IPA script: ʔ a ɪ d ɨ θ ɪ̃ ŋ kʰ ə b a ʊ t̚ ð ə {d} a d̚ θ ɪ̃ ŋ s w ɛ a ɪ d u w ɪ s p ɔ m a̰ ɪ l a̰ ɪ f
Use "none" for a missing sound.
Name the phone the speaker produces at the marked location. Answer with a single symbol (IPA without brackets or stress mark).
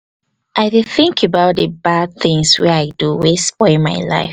b